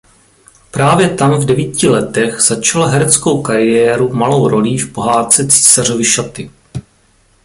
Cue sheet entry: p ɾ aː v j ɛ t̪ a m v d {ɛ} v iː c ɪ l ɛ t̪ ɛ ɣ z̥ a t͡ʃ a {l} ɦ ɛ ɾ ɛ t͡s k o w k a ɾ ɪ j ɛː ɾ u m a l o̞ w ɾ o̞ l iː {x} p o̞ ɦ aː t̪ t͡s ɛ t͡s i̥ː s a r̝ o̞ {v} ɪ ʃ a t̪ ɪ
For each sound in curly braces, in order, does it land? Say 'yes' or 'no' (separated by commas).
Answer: yes, yes, no, yes